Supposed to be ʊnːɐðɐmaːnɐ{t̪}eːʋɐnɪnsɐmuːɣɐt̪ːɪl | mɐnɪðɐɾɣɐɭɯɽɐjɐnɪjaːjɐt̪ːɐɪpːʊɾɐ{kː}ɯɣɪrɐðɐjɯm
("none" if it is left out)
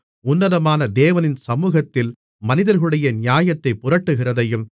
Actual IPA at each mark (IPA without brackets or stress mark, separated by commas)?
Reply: d̪, ʈː